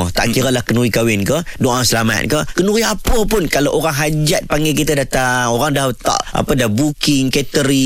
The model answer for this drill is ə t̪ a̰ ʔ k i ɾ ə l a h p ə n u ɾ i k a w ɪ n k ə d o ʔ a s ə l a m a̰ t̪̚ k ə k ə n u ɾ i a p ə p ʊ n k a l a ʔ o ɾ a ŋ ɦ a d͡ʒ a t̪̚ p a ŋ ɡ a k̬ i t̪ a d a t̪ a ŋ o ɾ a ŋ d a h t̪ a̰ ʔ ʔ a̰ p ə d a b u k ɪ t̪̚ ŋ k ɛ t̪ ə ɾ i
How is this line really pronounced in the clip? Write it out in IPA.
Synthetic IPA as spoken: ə t̪ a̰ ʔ k i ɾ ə l a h k ə n u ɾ i k a w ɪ n k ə d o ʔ a s ə l a m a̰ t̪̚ k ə k ə n u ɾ i a p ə p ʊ n k a l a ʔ o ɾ a ŋ ɦ a d͡ʒ a t̪̚ p a ŋ ɡ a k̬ i t̪ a d a t̪ a ŋ o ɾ a ŋ d a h t̪ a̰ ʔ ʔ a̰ p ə d a b u k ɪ ŋ k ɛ t̪ ə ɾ i